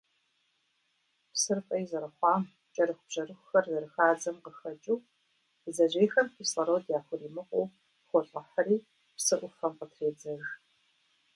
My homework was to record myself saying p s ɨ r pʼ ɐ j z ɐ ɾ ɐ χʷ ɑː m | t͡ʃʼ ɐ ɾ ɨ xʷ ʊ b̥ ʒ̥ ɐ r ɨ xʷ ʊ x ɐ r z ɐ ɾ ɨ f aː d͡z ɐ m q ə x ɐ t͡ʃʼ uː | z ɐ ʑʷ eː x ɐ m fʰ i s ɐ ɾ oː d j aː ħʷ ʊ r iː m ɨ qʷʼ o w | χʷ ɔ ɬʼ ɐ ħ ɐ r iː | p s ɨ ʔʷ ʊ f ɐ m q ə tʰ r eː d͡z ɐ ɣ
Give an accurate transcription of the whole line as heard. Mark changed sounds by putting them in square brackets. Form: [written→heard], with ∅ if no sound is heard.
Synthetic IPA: p s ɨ r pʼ ɐ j z ɐ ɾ ɐ χʷ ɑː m | t͡ʃʼ ɐ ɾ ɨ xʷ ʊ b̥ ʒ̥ ɐ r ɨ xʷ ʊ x ɐ r z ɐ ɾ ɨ [f→x] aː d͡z ɐ m q ə x ɐ t͡ʃʼ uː | z ɐ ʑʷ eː x ɐ m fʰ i s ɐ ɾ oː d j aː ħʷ ʊ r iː m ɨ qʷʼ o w | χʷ ɔ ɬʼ ɐ ħ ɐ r iː | p s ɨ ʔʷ ʊ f ɐ m q ə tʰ r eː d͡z ɐ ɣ